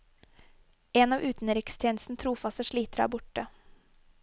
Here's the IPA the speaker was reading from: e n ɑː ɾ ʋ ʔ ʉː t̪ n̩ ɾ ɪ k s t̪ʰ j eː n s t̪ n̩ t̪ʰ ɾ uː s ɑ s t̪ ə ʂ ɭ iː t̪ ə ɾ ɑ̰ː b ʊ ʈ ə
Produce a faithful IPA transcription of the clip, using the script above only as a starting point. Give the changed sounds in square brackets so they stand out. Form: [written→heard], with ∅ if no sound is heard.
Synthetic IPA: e n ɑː [ɾ→∅] ʋ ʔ ʉː t̪ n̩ ɾ ɪ k s t̪ʰ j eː n s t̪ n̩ t̪ʰ ɾ uː [s→f] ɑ s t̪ ə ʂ ɭ iː t̪ ə ɾ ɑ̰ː b ʊ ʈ ə